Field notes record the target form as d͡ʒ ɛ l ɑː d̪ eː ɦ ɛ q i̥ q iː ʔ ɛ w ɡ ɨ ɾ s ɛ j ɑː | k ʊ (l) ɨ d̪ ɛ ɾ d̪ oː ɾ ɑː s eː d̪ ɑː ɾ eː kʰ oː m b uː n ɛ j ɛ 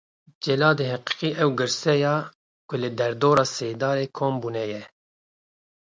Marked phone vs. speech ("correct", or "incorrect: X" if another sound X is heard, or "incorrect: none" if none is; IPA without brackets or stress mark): correct